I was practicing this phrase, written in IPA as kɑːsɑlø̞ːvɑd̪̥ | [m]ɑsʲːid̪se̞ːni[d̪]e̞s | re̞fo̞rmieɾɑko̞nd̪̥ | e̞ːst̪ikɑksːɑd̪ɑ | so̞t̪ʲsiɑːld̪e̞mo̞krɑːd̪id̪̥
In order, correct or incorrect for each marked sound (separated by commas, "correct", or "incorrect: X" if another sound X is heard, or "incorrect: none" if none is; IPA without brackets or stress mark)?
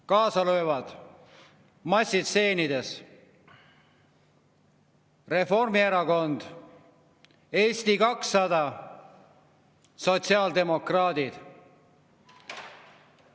correct, correct